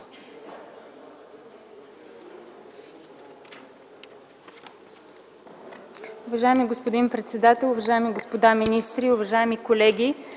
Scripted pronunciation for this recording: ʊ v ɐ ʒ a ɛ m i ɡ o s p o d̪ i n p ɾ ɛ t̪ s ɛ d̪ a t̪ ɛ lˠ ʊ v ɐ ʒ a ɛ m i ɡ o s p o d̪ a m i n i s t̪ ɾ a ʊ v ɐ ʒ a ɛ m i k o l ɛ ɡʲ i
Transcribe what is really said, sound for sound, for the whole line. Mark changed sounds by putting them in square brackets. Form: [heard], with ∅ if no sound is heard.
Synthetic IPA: ʊ v ɐ ʒ a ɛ m i ɡ o s p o d̪ i n p ɾ ɛ t̪ s ɛ d̪ a t̪ ɛ lˠ ʊ v ɐ ʒ a ɛ m i ɡ o s p o d̪ a m i n i s t̪ ɾ [i] ʊ v ɐ ʒ a ɛ m i k o l ɛ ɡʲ i

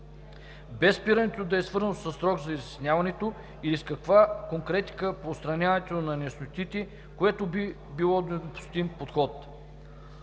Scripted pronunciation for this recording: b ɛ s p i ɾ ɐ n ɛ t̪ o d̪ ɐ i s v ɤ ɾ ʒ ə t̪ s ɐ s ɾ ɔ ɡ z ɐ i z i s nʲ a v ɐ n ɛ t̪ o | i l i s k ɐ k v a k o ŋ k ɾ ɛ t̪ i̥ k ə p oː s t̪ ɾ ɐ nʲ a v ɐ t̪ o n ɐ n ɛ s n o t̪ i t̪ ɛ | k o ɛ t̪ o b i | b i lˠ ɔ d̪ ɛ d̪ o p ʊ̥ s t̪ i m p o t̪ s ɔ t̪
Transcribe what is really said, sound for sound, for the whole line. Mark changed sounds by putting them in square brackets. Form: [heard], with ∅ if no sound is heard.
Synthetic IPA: b ɛ s p i ɾ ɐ n ɛ t̪ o d̪ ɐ [ɛ] s v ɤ ɾ [z] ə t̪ s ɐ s ɾ ɔ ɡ z ɐ i z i s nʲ a v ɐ n ɛ t̪ o | i l i s k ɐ k v a k o ŋ k ɾ ɛ t̪ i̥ k ə p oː s t̪ ɾ ɐ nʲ a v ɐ t̪ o n ɐ n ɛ s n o t̪ i t̪ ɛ | k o ɛ t̪ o b i | b i lˠ ɔ d̪ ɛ d̪ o p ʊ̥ s t̪ i m p o t̪ [x] ɔ t̪

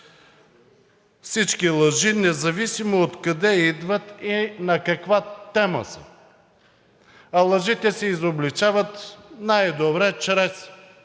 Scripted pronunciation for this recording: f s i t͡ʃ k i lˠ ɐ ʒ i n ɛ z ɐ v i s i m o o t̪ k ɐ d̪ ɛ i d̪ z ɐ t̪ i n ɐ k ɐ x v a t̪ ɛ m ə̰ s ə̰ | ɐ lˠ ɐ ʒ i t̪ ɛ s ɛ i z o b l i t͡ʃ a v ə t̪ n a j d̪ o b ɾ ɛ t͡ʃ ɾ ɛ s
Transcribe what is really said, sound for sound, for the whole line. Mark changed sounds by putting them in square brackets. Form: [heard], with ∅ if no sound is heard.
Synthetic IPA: f s i t͡ʃ k i lˠ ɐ ʒ i n ɛ z ɐ v i s i m o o t̪ k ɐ d̪ ɛ i d̪ [v] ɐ t̪ i n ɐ k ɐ [k] v a t̪ ɛ m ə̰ s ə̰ | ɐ lˠ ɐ ʒ i t̪ ɛ s ɛ i z o b l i t͡ʃ a v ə t̪ n a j d̪ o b ɾ ɛ t͡ʃ ɾ ɛ s

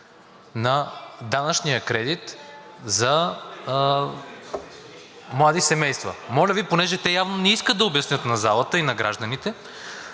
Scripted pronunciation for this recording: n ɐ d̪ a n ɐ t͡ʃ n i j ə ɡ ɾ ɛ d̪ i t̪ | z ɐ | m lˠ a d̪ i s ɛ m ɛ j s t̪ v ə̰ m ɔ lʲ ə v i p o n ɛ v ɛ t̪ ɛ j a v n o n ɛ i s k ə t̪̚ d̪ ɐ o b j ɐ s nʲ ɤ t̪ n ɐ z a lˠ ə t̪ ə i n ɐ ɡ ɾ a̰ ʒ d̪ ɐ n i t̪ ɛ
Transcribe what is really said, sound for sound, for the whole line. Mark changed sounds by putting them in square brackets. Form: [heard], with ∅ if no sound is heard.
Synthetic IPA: n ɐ d̪ a n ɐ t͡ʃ n i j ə [k] ɾ ɛ d̪ i t̪ | z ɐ | m lˠ a d̪ i s ɛ m ɛ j s t̪ v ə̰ m ɔ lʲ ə v i p o n ɛ [ʒ] ɛ t̪ ɛ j a v n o n ɛ i s k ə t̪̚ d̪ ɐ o b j ɐ s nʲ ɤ t̪ n ɐ z a lˠ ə t̪ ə i n ɐ ɡ ɾ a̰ ʒ d̪ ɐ n i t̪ ɛ

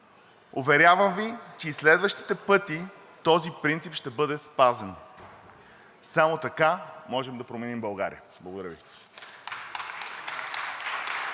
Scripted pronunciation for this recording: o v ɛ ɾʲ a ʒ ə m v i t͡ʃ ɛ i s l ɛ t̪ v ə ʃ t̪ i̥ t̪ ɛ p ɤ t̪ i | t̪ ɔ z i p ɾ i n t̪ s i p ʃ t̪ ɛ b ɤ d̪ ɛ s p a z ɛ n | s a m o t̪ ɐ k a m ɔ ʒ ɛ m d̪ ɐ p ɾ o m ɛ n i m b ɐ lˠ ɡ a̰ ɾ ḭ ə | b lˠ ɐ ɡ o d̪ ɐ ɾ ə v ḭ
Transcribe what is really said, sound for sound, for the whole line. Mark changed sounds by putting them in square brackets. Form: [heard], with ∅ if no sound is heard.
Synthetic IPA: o v ɛ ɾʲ a [v] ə m v i t͡ʃ ɛ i s l ɛ [d̪] v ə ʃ t̪ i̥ t̪ ɛ p ɤ t̪ i | t̪ ɔ z i p ɾ i n t̪ s i p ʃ t̪ ɛ b ɤ d̪ ɛ s p a z ɛ n | s a m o t̪ ɐ k a m ɔ ʒ ɛ m d̪ ɐ p ɾ o m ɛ n i m b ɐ lˠ ɡ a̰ ɾ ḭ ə | b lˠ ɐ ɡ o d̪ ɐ ɾ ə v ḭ

